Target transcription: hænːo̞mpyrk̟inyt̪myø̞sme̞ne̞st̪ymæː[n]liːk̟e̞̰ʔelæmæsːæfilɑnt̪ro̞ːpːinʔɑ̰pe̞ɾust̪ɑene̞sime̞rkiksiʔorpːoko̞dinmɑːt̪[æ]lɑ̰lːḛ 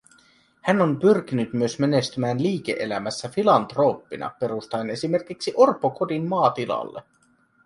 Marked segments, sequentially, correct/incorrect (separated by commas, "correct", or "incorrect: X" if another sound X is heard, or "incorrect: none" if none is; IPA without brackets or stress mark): correct, incorrect: i